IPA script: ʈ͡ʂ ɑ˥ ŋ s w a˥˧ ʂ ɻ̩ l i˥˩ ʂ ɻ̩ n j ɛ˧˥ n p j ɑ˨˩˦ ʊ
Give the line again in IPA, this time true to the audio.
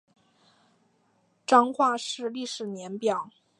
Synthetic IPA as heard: ʈ͡ʂ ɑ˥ ŋ x w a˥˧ ʂ ɻ̩ l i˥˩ ʂ ɻ̩ n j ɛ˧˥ n p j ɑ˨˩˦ ʊ